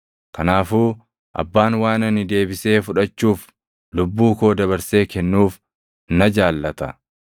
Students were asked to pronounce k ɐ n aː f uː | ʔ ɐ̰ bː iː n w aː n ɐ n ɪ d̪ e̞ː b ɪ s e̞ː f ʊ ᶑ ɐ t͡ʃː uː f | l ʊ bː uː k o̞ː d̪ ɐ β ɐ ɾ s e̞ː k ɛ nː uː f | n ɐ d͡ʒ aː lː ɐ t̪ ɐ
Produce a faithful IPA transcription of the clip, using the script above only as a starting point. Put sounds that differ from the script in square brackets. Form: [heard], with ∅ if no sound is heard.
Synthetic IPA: k ɐ n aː f uː | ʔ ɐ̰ bː [aː] n w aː n ɐ n ɪ d̪ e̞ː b ɪ s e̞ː f ʊ ᶑ ɐ t͡ʃː uː f | l ʊ bː uː k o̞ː d̪ ɐ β ɐ ɾ s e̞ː k ɛ nː uː f | n ɐ d͡ʒ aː lː ɐ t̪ ɐ